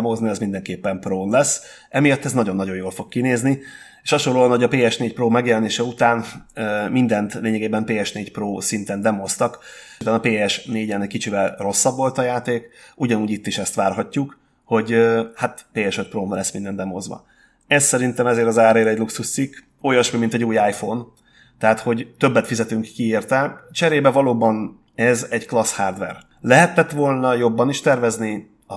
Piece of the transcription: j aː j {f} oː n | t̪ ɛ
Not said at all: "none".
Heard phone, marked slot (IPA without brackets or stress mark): f